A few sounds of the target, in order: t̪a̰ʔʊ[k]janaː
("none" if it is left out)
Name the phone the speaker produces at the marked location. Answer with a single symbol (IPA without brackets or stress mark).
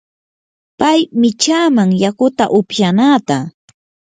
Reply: p